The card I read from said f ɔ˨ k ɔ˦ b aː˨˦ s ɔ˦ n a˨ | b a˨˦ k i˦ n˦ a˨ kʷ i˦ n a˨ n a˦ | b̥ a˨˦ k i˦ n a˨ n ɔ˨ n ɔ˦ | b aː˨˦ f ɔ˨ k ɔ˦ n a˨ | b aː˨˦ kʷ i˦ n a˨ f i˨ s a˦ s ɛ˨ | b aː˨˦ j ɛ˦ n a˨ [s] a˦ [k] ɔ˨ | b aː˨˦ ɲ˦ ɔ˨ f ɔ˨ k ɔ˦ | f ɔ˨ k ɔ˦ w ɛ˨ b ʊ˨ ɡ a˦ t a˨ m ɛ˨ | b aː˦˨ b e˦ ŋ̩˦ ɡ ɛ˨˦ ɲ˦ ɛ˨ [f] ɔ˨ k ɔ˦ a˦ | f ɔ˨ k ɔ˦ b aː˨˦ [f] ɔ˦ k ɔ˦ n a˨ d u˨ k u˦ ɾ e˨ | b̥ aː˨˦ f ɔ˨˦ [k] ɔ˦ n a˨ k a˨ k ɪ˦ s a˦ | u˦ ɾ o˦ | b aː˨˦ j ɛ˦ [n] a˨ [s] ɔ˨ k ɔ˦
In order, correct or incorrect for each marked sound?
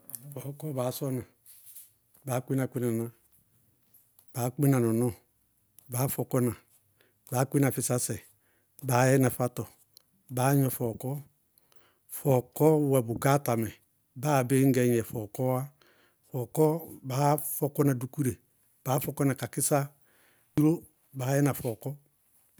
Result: incorrect: f, incorrect: t, correct, correct, correct, correct, incorrect: f

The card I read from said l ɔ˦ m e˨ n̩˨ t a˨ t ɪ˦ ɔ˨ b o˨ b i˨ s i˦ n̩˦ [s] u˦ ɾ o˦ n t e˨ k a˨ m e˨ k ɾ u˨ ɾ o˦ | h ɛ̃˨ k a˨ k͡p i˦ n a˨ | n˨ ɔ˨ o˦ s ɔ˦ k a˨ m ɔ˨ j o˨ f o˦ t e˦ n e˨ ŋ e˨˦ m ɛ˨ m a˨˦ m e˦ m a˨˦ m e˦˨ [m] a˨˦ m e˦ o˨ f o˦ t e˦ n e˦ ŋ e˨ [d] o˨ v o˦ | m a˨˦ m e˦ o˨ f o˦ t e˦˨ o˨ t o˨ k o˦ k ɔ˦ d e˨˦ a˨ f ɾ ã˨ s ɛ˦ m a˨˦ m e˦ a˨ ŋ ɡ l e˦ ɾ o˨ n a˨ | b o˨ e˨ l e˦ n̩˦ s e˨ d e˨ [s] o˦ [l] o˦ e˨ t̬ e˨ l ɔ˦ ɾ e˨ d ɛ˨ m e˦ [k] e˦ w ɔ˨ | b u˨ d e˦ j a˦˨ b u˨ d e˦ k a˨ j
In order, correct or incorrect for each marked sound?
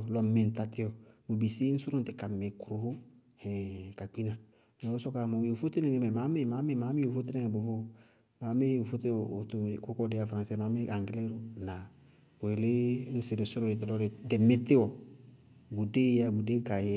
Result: correct, correct, incorrect: b, correct, incorrect: ɾ, incorrect: t

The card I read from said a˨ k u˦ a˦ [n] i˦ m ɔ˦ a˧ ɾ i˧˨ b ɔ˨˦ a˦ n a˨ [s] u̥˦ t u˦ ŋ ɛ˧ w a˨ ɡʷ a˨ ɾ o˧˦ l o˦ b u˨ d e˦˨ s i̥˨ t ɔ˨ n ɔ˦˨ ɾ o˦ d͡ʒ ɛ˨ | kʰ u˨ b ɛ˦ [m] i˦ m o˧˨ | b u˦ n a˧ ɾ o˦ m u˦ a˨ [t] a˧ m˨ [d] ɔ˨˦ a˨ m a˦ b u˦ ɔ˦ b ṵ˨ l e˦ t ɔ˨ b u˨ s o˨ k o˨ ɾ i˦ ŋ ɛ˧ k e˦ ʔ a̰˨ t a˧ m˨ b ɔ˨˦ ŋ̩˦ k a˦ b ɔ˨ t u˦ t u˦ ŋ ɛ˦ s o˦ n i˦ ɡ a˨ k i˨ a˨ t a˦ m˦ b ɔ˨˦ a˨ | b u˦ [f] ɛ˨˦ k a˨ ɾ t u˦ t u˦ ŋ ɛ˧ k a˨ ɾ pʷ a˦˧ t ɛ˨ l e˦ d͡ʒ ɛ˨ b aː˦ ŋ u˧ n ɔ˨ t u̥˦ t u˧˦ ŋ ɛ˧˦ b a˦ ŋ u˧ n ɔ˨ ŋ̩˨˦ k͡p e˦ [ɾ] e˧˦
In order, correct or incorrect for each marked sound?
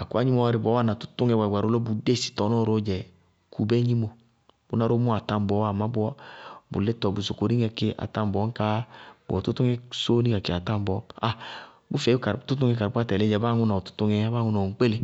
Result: incorrect: ɲ, incorrect: t, incorrect: ɲ, correct, incorrect: b, correct, incorrect: l

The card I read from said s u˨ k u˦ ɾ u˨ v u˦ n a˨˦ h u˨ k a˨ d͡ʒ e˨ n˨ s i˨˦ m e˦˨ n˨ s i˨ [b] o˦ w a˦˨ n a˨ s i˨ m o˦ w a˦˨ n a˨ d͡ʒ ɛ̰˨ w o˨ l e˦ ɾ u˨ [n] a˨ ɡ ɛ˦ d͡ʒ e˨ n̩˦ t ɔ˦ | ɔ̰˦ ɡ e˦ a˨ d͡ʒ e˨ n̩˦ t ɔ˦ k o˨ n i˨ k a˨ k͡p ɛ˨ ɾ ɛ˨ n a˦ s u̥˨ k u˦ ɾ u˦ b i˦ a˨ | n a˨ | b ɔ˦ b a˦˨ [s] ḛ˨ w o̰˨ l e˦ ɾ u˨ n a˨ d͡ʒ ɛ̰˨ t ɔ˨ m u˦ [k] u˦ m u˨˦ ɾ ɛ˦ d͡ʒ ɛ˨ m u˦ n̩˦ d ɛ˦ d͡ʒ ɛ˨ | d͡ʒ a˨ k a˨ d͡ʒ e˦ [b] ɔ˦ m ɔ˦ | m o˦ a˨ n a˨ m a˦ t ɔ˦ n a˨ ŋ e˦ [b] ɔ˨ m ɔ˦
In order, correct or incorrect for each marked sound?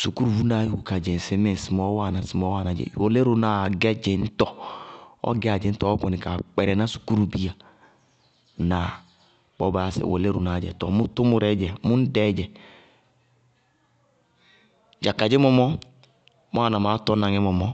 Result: incorrect: m, correct, correct, incorrect: t, incorrect: m, incorrect: m

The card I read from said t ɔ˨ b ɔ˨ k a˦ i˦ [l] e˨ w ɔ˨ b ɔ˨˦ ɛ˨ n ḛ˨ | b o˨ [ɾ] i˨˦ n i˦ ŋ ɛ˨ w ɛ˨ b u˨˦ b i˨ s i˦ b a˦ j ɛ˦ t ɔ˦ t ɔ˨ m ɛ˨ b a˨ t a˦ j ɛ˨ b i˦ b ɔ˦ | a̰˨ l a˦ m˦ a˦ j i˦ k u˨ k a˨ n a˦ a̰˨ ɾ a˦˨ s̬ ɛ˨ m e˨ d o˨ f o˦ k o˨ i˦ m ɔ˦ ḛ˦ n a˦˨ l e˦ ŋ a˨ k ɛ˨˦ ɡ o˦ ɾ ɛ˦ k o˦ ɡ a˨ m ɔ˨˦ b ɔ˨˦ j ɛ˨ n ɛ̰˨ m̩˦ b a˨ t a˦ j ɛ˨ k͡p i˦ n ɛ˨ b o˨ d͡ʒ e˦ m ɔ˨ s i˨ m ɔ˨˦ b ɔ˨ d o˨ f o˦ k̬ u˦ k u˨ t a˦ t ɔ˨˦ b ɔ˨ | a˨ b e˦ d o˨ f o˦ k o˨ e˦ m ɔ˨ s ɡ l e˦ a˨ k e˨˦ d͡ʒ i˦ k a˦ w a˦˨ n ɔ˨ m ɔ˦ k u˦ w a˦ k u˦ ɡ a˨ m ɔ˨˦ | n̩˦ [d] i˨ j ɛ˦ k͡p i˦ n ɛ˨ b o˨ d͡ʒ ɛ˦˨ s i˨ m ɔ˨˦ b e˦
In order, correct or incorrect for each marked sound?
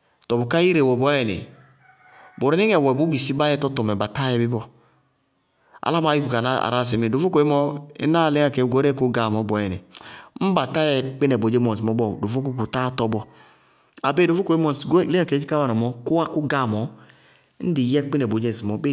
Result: incorrect: ɾ, correct, correct

